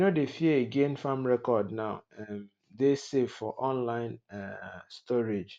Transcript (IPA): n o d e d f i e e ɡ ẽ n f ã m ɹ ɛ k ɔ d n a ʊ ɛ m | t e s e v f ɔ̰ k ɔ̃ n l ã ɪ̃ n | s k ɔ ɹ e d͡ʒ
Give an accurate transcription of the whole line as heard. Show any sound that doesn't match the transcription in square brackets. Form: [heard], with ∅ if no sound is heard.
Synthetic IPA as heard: n o d e [∅] f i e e ɡ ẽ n f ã m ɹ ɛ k ɔ d n a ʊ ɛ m | [d] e s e v f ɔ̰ [ʔ] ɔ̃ n l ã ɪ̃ n | s [t] ɔ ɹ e d͡ʒ